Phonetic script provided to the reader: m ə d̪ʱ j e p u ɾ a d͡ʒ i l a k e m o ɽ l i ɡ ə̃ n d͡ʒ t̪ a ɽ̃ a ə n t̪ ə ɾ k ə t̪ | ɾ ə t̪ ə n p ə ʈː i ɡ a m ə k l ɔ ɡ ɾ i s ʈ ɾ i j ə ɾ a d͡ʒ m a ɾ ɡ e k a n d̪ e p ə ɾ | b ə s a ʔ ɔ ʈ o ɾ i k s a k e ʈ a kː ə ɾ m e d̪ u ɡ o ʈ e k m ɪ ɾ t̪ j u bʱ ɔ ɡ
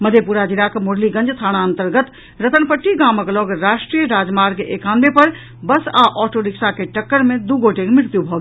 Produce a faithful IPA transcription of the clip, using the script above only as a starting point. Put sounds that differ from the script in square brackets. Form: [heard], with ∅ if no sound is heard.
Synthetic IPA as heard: m ə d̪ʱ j e p u ɾ a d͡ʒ i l a k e m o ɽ l i ɡ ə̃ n d͡ʒ [t̪ʰ] a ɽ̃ a ə n t̪ ə ɾ [ɡ] ə t̪ | ɾ ə t̪ ə n p ə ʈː i ɡ a m ə k l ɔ ɡ ɾ [a] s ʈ ɾ i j ə ɾ a d͡ʒ m a ɾ ɡ e k a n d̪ e p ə ɾ | b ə s a ʔ ɔ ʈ o ɾ i k s a k e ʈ [ə] kː ə ɾ m e d̪ u ɡ o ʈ e k m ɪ ɾ t̪ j u bʱ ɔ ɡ